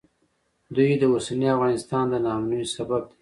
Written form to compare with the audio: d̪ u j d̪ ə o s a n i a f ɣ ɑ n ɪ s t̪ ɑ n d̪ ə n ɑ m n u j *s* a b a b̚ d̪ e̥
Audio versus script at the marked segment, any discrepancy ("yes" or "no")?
no